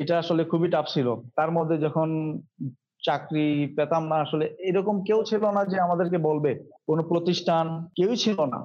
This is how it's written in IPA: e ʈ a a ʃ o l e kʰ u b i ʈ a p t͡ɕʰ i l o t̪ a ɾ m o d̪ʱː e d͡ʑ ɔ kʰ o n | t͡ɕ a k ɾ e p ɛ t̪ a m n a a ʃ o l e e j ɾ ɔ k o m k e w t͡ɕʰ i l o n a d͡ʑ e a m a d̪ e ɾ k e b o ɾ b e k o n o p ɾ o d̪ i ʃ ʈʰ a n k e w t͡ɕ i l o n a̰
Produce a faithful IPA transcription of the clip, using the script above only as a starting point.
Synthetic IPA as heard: e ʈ a a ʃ o l e kʰ u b i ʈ a p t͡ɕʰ i l o t̪ a ɾ m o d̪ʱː e d͡ʑ ɔ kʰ o n | t͡ɕ a k ɾ i p ɛ t̪ a m n a a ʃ o l e e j ɾ ɔ k o m k e w t͡ɕʰ i l o n a d͡ʑ e a m a d̪ e ɾ k e b o l b e k o n o p ɾ o t̪ i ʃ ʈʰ a n k e w t͡ɕʰ i l o n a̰